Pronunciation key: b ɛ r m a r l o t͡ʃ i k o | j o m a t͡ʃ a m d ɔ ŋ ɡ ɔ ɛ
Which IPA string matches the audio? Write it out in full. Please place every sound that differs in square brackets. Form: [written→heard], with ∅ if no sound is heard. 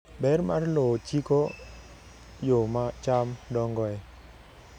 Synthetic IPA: b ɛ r m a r l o t͡ʃ i k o | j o m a t͡ʃ a m d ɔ ŋ ɡ ɔ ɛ